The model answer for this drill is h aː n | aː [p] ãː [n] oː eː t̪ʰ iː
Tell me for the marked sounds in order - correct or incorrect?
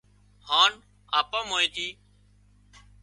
correct, incorrect

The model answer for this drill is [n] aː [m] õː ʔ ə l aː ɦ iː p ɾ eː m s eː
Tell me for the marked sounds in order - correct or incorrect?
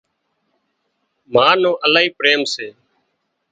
incorrect, incorrect

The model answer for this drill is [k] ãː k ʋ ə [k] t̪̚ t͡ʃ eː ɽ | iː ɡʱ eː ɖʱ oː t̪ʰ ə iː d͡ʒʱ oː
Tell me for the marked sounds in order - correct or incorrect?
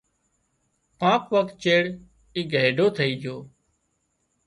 incorrect, correct

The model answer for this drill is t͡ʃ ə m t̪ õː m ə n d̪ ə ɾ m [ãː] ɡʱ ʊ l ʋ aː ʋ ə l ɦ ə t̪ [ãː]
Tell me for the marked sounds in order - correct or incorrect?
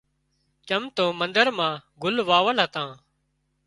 correct, correct

